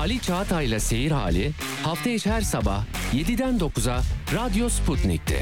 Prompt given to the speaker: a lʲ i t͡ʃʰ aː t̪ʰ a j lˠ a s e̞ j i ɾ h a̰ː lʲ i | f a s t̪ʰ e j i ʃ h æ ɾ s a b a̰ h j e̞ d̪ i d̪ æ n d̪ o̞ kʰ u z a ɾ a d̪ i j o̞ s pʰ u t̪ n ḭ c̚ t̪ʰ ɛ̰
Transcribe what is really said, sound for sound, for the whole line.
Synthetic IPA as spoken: a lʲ i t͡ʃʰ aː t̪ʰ a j lˠ a s e̞ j i ɾ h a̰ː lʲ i | h a f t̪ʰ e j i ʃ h æ ɾ s a b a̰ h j e̞ d̪ i d̪ æ n d̪ o̞ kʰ u z a ɾ a d̪ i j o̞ s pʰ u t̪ n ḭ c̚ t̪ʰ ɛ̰